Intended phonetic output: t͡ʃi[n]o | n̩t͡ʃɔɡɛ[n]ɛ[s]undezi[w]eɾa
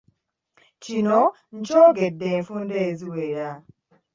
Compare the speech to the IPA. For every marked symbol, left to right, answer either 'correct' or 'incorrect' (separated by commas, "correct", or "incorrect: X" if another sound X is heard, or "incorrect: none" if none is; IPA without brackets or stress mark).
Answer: correct, incorrect: d, incorrect: f, correct